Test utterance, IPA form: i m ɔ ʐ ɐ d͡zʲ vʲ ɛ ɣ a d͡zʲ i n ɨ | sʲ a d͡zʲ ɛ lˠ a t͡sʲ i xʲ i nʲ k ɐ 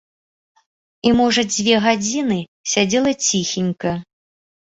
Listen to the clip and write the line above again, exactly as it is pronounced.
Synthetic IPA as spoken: i m ɔ ʐ ɐ d͡zʲ vʲ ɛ ɣ a d͡zʲ i n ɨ | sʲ a d͡zʲ ɛ lˠ ɐ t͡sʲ i xʲ i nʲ k ɐ

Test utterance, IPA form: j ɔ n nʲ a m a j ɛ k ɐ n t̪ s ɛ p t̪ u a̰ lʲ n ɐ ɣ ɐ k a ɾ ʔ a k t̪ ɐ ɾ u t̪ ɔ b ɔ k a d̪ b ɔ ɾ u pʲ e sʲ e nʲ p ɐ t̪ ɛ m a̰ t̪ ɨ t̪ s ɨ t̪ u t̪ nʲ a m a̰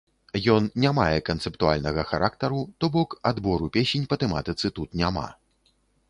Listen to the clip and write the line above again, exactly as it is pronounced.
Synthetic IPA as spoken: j ɔ n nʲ a m a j ɛ k ɐ n t̪ s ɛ p t̪ u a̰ lʲ n ɐ ɣ ɐ x a ɾ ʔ a k t̪ ɐ ɾ u t̪ ɔ b ɔ k a d̪ b ɔ ɾ u pʲ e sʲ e nʲ p ɐ t̪ ɛ m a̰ t̪ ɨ t̪ s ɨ t̪ u t̪ nʲ a m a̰

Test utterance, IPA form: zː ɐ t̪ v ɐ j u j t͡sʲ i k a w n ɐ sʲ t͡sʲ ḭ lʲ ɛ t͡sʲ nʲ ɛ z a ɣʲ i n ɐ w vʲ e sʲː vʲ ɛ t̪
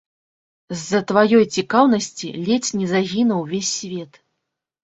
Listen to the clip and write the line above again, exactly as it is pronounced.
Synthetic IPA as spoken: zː ɐ t̪ v a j ɔ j t͡sʲ i k a w n ɐ sʲ t͡sʲ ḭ lʲ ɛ t͡sʲ nʲ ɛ z a ɣʲ i n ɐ w vʲ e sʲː vʲ ɛ t̪

